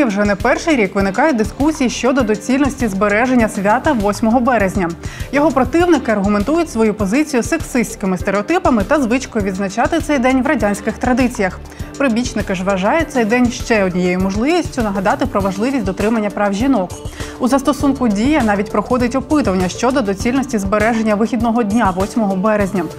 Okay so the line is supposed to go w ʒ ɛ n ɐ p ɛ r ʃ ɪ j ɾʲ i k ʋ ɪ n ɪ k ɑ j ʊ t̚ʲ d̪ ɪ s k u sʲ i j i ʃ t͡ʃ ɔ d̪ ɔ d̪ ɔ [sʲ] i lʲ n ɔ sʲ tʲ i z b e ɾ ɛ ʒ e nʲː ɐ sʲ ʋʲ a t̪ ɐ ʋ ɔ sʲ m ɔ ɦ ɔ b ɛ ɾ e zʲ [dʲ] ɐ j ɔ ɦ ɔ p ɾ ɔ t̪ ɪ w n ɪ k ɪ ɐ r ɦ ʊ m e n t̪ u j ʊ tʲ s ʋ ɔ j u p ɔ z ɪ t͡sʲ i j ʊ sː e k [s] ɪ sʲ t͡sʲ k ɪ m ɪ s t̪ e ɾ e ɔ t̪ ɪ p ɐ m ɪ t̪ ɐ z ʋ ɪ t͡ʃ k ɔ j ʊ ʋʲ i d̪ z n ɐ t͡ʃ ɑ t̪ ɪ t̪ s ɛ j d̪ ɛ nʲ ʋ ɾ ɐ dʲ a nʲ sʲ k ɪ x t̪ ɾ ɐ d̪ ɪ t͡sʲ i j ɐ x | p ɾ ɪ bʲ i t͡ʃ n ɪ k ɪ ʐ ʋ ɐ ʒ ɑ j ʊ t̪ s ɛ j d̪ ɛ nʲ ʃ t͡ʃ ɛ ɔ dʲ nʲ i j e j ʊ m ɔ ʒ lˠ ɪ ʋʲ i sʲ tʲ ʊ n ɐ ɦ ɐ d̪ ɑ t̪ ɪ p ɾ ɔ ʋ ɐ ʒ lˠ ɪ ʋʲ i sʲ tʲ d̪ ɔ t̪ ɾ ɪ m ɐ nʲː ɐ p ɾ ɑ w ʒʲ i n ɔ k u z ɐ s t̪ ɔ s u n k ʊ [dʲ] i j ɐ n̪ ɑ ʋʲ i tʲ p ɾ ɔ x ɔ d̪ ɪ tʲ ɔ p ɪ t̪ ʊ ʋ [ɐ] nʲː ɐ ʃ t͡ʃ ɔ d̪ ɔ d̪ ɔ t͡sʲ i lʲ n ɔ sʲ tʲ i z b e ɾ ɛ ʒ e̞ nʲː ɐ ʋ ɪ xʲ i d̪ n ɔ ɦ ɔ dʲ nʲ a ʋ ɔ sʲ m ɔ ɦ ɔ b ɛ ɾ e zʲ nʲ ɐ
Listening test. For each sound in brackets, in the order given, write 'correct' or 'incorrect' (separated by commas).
incorrect, incorrect, correct, correct, correct